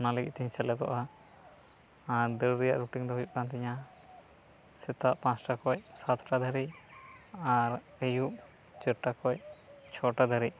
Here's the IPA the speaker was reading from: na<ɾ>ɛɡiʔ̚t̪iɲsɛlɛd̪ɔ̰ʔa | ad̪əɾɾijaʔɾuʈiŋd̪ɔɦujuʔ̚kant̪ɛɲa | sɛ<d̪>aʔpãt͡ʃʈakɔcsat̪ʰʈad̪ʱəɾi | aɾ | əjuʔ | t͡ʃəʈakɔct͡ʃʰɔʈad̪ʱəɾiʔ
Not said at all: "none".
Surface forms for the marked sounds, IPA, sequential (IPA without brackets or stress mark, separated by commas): l, t̪